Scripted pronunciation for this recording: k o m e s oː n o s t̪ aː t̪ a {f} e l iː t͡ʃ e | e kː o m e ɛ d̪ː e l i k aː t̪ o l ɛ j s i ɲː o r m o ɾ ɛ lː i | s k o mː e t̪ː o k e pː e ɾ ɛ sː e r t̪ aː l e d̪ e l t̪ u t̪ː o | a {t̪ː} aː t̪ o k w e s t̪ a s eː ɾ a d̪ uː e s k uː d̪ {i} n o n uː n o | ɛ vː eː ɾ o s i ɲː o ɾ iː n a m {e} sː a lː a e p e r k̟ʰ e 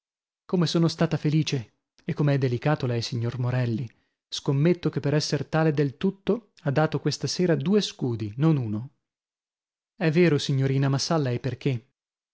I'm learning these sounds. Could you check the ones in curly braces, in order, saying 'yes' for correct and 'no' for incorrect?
yes, no, yes, no

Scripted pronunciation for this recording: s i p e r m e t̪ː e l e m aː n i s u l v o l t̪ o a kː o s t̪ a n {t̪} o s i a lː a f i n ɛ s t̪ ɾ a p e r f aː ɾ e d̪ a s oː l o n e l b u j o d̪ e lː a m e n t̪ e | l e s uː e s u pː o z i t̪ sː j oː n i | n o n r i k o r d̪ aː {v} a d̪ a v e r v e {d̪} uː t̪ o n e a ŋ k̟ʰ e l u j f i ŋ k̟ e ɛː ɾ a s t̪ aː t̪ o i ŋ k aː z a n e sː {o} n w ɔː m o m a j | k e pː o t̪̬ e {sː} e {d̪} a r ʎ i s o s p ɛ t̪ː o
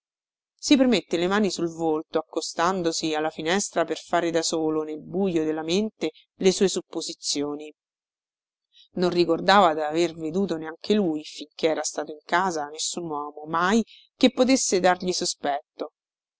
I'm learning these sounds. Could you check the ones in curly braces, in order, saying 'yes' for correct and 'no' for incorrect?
no, yes, yes, no, yes, yes

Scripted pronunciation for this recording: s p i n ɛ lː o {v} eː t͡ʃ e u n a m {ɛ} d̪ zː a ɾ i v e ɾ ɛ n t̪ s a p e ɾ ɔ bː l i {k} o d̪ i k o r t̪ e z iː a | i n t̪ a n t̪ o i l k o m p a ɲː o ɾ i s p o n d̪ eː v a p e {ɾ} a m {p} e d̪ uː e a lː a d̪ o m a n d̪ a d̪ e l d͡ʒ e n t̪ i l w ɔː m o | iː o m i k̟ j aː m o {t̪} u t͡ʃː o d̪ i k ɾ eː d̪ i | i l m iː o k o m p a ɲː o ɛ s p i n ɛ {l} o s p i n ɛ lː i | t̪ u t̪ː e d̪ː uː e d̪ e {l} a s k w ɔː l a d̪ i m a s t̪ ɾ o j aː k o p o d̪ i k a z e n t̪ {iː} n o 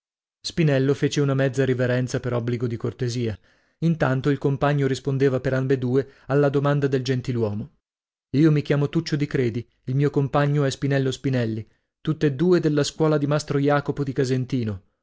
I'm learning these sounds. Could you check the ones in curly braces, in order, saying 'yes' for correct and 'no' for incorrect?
no, yes, no, yes, no, yes, no, no, yes

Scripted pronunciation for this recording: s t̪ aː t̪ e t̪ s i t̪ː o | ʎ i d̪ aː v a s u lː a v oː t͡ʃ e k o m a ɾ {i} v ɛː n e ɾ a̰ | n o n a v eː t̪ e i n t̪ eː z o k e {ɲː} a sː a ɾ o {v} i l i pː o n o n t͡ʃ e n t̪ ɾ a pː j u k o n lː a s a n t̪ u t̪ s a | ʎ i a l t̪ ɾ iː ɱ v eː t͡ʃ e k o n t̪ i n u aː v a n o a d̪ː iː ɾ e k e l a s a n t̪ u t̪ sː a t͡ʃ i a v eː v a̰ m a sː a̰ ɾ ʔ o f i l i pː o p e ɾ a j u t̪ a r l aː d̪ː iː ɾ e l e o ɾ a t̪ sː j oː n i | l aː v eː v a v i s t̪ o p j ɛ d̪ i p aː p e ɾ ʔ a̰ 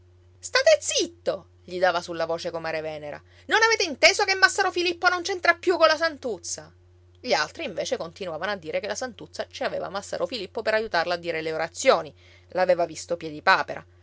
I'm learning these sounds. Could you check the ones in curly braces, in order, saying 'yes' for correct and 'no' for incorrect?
no, no, no

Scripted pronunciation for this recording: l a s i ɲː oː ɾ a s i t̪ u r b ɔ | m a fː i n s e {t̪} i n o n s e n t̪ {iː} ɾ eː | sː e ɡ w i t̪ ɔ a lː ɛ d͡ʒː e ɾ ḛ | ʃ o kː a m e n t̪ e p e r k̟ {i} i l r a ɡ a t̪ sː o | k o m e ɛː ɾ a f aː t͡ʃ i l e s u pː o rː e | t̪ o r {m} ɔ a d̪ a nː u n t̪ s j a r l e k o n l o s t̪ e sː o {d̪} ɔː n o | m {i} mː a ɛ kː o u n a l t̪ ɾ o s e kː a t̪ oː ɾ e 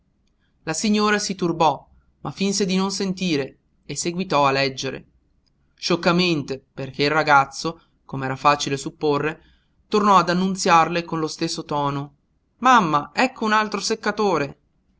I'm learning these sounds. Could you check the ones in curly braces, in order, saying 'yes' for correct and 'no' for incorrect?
no, yes, no, no, no, no

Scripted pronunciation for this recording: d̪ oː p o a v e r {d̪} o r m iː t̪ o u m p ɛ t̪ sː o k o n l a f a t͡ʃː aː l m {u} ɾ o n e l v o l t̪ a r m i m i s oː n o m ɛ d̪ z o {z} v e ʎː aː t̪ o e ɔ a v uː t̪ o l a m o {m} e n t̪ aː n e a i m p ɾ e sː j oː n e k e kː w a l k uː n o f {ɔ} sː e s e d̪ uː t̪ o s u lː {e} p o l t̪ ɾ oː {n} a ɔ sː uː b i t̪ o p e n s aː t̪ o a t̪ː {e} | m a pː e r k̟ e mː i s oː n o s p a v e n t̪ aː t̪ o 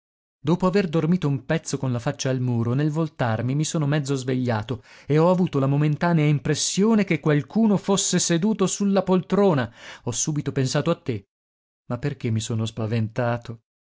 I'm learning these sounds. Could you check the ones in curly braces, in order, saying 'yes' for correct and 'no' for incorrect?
yes, no, yes, yes, no, no, yes, yes

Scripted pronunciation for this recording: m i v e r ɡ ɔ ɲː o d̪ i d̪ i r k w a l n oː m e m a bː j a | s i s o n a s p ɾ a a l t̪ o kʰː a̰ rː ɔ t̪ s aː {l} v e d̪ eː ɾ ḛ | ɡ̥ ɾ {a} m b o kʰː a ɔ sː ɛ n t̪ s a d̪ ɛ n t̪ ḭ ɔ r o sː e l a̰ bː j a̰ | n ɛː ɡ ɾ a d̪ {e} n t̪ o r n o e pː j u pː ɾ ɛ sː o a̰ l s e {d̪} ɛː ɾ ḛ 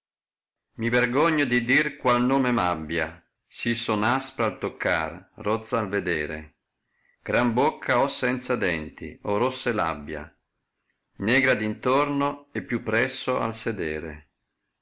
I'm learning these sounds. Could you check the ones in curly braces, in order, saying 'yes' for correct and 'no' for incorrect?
yes, yes, no, yes

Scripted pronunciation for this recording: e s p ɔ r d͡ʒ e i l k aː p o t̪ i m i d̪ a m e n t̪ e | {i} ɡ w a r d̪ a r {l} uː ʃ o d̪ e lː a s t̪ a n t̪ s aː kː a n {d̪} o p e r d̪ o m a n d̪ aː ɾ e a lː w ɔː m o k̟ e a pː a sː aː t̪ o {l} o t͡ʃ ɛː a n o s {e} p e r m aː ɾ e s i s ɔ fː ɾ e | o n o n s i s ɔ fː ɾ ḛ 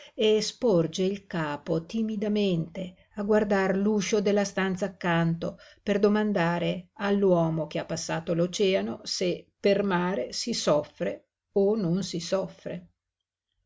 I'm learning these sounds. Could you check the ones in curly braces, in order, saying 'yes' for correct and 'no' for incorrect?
no, yes, no, yes, yes

